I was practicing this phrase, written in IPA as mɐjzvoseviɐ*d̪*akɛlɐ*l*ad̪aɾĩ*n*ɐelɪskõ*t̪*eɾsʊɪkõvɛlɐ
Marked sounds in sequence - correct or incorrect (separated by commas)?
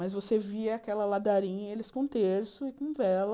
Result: incorrect, correct, incorrect, correct